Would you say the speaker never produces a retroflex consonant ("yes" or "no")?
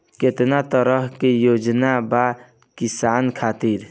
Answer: yes